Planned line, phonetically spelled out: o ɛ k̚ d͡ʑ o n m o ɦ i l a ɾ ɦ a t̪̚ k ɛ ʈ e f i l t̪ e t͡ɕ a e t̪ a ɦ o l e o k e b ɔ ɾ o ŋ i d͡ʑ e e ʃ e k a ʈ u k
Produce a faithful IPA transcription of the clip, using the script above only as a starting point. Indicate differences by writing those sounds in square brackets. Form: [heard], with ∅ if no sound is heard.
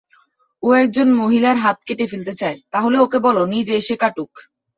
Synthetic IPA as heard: o ɛ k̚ d͡ʑ o n m o ɦ i l a ɾ ɦ a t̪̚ k [e] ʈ e f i l t̪ e t͡ɕ a e t̪ a ɦ o l e o k e b ɔ [l] o [n] i d͡ʑ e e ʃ e k a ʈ u k